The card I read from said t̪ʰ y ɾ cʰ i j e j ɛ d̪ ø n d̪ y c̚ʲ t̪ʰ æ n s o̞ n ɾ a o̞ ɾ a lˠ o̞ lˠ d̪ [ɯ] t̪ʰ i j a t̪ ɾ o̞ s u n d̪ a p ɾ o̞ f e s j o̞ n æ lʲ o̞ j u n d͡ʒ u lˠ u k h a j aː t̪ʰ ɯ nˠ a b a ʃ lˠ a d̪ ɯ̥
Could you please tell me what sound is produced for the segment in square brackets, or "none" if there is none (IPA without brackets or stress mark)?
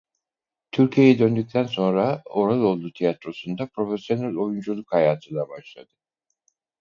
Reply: u